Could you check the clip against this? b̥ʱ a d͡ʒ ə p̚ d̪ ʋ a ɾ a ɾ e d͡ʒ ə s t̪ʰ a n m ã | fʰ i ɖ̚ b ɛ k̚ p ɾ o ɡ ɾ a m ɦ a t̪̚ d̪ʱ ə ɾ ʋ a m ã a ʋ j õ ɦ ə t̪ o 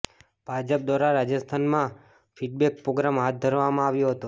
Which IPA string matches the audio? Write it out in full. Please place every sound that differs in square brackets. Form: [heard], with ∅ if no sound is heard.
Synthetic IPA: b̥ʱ a d͡ʒ ə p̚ d̪ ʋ a ɾ a ɾ [a] d͡ʒ ə s t̪ʰ a n m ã | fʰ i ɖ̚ b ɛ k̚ p ɾ o ɡ ɾ a m ɦ a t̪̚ d̪ʱ ə ɾ ʋ a m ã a ʋ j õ ɦ ə t̪ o